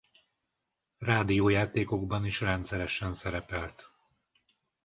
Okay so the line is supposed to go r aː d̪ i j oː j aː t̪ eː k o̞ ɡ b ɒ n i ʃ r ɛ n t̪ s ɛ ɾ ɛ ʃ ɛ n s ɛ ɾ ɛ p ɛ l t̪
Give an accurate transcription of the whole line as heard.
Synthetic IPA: r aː d̪ i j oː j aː t̪ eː k o̞ ɡ b ɒ n i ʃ r ɛ n t̪ s ɛ ɾ ɛ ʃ ɛ n s ɛ ɾ ɛ p ɛ l t̪